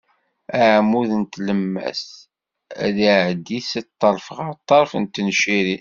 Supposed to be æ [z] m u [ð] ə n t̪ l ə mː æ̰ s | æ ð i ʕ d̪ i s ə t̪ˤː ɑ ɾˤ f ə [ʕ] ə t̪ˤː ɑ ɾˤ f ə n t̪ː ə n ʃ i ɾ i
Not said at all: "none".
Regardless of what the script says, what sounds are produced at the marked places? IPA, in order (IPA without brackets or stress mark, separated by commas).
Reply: ʕ, ð, ʁ